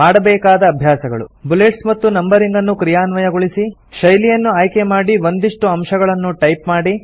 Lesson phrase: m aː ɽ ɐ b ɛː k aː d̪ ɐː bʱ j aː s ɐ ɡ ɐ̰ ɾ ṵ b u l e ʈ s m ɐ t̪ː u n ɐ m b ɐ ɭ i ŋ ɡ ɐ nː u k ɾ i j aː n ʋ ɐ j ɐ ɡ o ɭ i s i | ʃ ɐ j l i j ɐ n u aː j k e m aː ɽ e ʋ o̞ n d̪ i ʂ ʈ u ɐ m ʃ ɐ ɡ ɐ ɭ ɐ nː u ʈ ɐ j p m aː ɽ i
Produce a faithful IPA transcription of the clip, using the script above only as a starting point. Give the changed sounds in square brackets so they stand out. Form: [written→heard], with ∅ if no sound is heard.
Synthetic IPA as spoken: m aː ɽ ɐ b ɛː k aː d̪ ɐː bʱ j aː s ɐ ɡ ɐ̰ [ɾ→ɭ] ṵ b u l e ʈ s m ɐ t̪ː u n ɐ m b ɐ [ɭ→ɾ] i ŋ ɡ ɐ nː u k ɾ i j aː n ʋ ɐ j ɐ ɡ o ɭ i s i | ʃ ɐ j l i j ɐ [n→nː] u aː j k e m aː ɽ [e→i] ʋ o̞ n d̪ i ʂ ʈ u ɐ m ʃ ɐ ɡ ɐ ɭ ɐ nː u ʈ ɐ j p m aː ɽ i